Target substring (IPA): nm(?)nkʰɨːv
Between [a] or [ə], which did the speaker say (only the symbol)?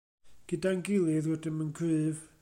ə